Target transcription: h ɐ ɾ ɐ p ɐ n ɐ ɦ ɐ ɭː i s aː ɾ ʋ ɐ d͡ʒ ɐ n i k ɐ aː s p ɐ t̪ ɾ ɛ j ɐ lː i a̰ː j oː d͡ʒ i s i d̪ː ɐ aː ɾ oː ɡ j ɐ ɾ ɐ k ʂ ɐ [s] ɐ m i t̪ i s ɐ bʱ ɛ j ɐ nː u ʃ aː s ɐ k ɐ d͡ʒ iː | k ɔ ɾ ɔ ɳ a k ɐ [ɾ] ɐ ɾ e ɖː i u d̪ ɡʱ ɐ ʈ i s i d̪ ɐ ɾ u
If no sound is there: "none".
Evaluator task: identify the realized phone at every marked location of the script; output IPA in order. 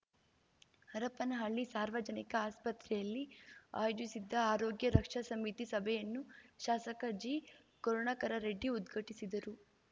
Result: s, ɾ

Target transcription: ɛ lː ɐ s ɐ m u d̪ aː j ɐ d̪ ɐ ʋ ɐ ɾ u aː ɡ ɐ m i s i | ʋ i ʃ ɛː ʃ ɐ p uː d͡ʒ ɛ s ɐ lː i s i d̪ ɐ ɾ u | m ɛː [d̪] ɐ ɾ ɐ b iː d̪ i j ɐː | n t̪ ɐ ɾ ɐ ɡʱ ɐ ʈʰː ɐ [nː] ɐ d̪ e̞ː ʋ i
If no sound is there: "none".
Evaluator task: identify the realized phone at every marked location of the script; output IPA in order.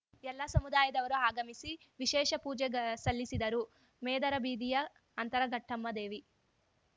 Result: d̪, mː

